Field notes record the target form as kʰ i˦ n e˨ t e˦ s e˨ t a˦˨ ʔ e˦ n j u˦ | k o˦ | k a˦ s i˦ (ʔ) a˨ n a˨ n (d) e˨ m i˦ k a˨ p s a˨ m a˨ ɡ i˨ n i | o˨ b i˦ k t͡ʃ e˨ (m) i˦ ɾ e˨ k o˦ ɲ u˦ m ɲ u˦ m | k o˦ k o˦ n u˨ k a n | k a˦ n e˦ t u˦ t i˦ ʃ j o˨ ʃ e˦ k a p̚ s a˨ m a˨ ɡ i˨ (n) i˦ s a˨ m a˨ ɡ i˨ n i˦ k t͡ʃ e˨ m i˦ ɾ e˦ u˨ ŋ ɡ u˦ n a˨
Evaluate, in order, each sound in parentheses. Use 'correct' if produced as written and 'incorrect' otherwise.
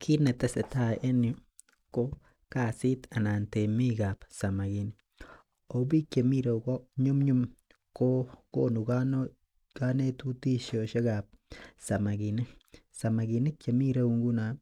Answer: incorrect, incorrect, correct, correct

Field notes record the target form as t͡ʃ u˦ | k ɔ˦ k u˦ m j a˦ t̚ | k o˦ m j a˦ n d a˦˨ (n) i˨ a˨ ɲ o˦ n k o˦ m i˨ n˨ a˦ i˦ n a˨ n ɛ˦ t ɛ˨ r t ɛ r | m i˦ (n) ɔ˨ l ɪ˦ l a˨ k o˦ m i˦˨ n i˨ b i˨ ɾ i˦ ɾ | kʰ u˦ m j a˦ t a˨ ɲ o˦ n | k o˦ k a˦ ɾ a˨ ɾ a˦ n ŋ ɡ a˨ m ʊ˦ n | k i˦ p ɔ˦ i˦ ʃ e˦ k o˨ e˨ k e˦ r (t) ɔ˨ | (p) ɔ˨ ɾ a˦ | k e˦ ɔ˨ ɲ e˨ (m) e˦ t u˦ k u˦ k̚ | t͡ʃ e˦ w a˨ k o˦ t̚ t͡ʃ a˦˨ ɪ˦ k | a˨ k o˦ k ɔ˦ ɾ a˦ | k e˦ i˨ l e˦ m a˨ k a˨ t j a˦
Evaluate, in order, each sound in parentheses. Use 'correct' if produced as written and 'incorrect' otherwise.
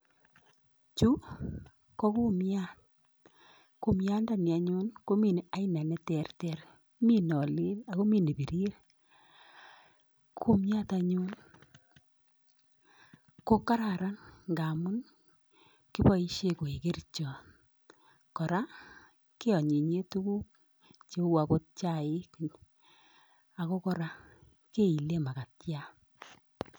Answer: correct, correct, incorrect, incorrect, incorrect

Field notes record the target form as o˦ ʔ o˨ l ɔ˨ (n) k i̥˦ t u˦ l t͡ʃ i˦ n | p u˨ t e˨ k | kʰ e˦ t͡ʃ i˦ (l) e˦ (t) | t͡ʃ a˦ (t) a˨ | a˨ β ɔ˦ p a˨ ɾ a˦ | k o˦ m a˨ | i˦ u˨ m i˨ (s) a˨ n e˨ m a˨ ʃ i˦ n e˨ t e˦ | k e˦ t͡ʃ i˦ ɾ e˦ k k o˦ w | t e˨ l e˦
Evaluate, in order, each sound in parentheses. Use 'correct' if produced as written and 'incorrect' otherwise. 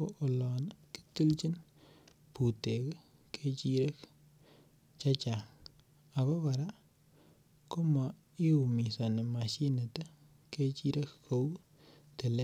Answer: correct, incorrect, incorrect, incorrect, correct

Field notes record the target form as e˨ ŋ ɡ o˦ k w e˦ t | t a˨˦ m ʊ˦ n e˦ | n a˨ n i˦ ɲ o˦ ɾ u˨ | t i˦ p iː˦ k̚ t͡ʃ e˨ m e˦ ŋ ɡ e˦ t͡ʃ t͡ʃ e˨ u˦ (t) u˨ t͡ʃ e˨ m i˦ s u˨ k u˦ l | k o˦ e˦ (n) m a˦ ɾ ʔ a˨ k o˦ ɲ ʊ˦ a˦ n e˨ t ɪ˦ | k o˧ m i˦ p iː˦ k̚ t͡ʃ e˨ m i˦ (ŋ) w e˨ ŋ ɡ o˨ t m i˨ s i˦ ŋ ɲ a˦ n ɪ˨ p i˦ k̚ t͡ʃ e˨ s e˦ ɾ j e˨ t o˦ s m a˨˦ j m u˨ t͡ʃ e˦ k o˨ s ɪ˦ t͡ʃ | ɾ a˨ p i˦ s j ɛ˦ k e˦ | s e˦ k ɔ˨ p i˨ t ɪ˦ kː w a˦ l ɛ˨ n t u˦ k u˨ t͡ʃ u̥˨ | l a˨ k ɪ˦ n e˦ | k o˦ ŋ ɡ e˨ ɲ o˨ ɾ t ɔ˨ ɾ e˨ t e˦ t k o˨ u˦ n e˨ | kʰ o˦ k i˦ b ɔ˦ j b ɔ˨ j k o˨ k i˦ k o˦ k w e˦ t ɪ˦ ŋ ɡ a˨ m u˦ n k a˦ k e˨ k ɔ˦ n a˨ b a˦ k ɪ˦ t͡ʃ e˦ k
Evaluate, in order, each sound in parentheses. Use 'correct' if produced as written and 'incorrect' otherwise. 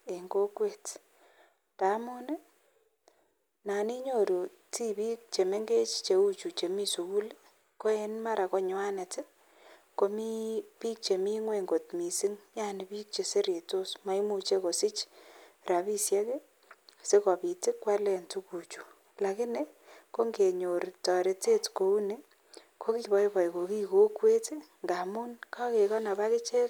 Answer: incorrect, correct, correct

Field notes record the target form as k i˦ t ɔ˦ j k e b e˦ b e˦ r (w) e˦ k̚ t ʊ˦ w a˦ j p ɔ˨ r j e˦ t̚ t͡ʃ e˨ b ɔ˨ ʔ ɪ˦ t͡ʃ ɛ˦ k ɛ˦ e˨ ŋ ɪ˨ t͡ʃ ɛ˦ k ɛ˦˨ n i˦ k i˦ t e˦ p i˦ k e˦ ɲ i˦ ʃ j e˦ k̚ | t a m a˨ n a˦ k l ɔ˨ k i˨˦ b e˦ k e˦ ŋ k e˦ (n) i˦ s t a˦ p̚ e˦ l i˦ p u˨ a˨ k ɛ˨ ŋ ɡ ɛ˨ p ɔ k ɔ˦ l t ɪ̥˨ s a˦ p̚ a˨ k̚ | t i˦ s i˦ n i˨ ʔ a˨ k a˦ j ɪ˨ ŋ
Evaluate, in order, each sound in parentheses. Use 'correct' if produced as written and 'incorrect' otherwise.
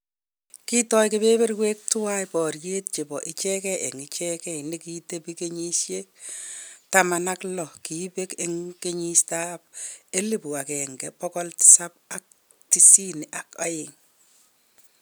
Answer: correct, incorrect

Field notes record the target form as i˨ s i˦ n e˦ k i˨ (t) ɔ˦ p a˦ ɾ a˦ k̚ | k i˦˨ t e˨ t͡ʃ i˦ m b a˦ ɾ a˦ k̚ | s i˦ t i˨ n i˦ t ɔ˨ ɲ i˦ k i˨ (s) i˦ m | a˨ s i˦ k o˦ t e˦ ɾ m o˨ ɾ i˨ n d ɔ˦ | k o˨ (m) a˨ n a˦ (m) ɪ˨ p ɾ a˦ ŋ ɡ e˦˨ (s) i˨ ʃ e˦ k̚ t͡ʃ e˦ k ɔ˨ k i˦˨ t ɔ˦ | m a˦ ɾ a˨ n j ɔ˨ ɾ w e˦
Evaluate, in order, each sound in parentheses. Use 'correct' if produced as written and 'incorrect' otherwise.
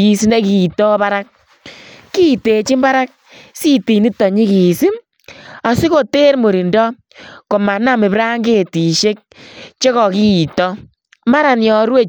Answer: correct, correct, correct, correct, incorrect

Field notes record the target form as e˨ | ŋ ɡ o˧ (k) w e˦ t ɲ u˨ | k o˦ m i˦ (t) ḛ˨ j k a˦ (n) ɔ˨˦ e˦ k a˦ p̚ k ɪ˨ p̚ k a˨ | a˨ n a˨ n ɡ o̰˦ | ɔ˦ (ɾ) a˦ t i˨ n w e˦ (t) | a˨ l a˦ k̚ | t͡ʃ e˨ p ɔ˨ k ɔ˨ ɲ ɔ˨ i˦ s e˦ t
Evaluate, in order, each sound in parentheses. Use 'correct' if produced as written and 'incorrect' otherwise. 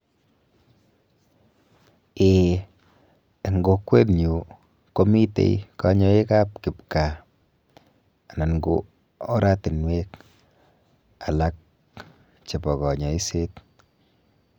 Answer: correct, correct, incorrect, correct, incorrect

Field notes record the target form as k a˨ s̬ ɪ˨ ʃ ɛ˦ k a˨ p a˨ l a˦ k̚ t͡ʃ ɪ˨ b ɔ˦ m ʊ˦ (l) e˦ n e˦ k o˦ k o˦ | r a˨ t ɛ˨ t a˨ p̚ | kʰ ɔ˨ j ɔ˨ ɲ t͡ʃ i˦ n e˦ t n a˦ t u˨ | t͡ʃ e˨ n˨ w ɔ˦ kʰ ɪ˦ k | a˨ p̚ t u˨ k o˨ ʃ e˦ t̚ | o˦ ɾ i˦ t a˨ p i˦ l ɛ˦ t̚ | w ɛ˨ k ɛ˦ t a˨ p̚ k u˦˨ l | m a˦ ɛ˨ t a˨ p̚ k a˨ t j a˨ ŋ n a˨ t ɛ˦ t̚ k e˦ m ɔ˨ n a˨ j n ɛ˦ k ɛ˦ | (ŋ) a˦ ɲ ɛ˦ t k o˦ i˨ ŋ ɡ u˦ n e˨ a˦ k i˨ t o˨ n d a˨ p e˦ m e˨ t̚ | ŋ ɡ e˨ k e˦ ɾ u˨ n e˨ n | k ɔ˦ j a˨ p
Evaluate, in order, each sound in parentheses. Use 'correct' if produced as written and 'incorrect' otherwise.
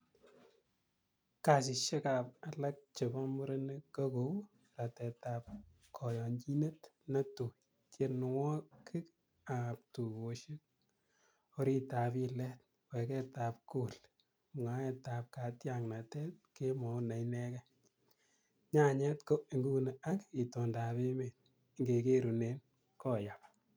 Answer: incorrect, incorrect

